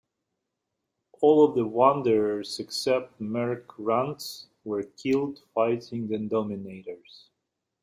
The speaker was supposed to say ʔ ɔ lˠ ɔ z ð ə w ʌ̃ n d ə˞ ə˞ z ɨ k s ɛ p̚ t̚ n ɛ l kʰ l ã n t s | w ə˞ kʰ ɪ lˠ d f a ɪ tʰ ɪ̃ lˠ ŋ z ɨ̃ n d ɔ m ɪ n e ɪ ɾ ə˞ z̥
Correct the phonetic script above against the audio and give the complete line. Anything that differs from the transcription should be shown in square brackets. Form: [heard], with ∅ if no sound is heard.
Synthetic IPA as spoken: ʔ ɔ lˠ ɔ [v] ð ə w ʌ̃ n d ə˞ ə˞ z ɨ k s ɛ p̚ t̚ [m] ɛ [ɹ] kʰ [ɹ] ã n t s | w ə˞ kʰ ɪ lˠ d f a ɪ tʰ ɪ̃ [∅] ŋ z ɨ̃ n d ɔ m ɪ n e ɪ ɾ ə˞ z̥